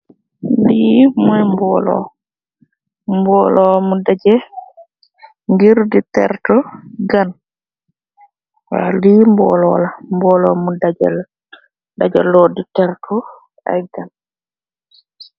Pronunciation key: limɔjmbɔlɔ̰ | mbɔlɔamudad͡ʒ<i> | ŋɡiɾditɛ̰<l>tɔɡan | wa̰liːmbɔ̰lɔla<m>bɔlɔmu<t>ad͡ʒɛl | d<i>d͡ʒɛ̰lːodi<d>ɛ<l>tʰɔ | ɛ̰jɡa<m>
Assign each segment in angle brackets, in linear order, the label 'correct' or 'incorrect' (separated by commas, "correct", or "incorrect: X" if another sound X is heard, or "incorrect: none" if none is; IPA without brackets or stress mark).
incorrect: ɛ, incorrect: ɾ, correct, incorrect: d, incorrect: a, incorrect: t, incorrect: ɾ, incorrect: n